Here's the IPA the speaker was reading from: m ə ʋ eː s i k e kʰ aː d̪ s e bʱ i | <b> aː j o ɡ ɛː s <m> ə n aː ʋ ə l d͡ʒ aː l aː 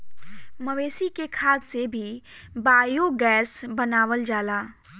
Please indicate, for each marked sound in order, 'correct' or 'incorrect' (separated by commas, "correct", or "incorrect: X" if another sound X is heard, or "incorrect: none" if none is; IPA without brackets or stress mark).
correct, incorrect: b